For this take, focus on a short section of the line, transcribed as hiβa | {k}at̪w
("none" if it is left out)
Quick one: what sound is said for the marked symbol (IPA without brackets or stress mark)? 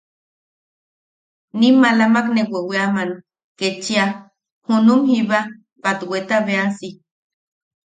p